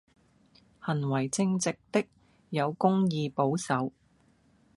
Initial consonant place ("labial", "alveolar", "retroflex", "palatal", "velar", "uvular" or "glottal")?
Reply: glottal